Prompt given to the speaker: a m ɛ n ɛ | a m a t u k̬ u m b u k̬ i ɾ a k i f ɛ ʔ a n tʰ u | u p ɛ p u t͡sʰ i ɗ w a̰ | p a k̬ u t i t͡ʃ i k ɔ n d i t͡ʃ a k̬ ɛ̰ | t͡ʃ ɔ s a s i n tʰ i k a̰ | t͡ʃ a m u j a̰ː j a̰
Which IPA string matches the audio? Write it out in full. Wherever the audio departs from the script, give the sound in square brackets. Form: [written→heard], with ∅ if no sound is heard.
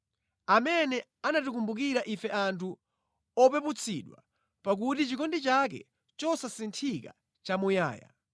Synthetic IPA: a m ɛ n ɛ | a [m→n] a t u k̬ u m b u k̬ i ɾ a [k→ʔ] i f ɛ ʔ a n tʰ u | [u→ɔ] p ɛ p u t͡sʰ i ɗ w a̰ | p a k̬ u t i t͡ʃ i k ɔ n d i t͡ʃ a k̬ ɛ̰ | t͡ʃ ɔ s a s i n tʰ i k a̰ | t͡ʃ a m u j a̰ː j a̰